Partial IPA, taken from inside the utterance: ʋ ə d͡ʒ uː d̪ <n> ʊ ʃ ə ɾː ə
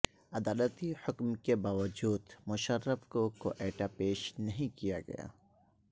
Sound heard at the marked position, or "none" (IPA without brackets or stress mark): m